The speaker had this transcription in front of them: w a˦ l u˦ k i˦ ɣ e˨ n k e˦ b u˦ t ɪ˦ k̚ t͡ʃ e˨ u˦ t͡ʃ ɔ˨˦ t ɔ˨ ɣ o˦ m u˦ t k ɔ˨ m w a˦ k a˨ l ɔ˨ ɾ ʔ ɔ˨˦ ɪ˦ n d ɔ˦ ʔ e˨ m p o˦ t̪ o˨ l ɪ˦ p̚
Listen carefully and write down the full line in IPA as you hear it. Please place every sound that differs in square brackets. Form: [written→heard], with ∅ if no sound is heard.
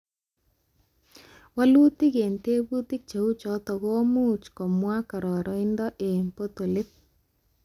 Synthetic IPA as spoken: w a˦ l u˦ [k→t] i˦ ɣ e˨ n [k→t] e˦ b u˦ t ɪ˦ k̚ t͡ʃ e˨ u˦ t͡ʃ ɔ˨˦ t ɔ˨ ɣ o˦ m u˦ [t→t͡ʃ] k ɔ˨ m w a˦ k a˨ [l→ɾ] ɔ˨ ɾ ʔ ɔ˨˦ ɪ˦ n d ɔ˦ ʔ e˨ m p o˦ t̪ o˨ l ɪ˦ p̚